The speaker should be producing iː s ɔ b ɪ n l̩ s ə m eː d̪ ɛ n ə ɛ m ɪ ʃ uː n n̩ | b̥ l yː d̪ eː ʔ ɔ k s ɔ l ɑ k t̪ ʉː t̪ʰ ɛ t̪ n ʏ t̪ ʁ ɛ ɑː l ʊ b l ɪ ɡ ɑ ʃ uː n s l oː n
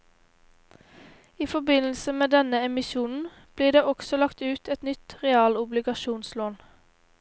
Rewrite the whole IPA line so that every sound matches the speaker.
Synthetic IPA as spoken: iː f ɔ b ɪ n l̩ s ə m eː d̪ ɛ n ə ɛ m ɪ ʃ uː n n̩ | b̥ l iː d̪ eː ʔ ɔ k s ɔ l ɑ k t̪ ʉː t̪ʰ ɛ t̪ n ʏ t̪ ʁ ɛ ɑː l ʊ b l ɪ ɡ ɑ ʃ uː n s l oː n